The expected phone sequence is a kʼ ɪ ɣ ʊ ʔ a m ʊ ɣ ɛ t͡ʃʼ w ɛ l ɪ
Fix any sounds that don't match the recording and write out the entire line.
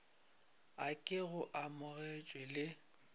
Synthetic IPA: a kʼ ɪ ɣ ʊ ʔ a m ʊ ɣ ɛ t͡ʃʼ w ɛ l ɪ